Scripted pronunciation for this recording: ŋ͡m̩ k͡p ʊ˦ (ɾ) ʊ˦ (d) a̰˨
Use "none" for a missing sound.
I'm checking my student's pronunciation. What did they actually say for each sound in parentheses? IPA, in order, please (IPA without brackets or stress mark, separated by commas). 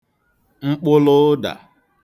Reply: l, d